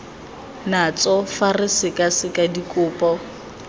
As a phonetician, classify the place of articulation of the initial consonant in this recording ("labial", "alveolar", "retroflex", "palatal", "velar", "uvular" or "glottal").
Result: alveolar